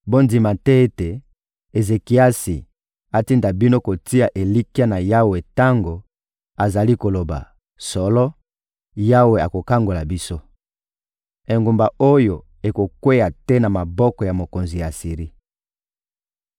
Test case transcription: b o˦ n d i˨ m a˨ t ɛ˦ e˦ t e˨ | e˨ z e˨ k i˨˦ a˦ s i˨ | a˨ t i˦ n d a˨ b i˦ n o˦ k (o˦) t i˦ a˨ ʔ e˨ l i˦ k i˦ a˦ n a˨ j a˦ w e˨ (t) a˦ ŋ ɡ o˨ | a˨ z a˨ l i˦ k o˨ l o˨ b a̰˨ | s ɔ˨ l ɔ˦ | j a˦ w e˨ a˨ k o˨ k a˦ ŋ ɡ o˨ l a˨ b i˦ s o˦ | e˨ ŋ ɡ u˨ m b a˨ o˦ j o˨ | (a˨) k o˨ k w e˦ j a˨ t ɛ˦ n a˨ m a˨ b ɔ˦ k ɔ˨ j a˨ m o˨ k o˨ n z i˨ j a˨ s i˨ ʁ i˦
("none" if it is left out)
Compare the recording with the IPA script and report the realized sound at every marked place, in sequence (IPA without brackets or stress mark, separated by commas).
o˨, t, e˨